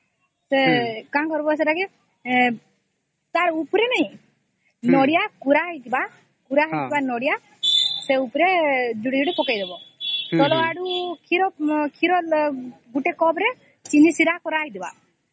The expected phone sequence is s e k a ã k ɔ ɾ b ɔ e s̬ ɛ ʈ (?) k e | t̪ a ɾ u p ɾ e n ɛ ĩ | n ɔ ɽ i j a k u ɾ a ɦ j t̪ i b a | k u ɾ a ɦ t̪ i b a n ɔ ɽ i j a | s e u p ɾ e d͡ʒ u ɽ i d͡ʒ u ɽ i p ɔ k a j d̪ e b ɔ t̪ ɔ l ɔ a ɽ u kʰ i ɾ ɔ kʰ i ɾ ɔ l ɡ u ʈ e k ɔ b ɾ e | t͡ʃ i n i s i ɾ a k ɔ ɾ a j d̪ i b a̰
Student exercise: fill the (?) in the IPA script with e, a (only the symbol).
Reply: a